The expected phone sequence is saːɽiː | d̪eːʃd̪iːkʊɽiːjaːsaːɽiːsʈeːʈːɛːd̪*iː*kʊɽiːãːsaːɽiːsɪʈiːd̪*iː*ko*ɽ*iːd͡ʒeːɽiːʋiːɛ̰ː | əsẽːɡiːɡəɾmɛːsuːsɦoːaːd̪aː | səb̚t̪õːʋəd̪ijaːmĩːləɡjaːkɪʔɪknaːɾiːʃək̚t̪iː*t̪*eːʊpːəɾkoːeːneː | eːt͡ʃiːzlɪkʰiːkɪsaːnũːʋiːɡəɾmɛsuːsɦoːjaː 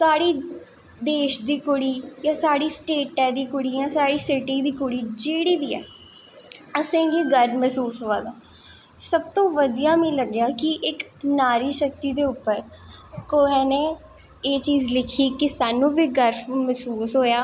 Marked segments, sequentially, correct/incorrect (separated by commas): correct, correct, correct, incorrect